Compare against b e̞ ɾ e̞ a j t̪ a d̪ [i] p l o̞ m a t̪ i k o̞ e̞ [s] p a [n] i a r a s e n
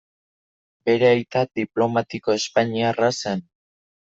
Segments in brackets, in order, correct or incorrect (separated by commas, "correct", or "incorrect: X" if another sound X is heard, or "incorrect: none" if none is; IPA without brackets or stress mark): correct, correct, incorrect: ɲ